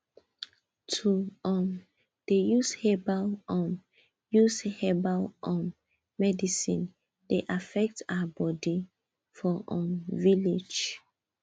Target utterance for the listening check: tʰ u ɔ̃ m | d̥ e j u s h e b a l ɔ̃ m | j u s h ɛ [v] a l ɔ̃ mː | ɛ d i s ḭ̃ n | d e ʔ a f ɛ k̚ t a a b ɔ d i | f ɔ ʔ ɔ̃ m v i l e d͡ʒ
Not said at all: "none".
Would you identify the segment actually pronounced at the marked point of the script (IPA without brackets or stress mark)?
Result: b